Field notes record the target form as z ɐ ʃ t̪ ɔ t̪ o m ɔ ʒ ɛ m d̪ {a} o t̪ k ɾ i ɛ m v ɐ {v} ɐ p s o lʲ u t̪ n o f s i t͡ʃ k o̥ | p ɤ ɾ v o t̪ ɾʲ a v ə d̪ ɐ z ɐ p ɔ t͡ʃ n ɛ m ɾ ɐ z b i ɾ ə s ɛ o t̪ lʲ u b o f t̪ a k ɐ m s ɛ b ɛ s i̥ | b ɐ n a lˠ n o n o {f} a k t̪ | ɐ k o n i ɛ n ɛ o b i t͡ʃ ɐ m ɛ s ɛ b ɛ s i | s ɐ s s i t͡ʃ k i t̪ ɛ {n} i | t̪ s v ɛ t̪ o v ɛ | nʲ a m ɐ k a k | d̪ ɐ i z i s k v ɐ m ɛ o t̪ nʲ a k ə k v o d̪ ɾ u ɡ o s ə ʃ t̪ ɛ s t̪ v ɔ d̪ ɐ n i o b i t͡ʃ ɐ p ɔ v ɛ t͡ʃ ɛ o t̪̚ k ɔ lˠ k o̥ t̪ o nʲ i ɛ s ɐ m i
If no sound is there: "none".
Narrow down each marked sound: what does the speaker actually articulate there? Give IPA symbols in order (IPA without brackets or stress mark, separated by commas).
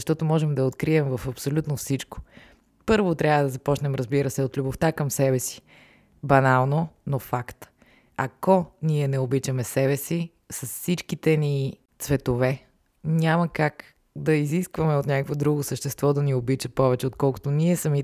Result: ɐ, f, f, n